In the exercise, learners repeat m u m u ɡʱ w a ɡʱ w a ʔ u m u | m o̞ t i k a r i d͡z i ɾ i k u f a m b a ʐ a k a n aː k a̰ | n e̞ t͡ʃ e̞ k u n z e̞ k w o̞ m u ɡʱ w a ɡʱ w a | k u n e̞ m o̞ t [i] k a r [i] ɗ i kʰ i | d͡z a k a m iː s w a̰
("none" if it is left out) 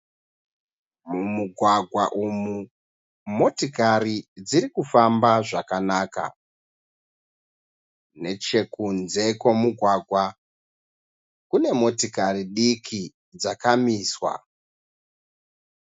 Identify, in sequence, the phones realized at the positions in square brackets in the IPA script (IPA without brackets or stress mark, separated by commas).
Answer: i, i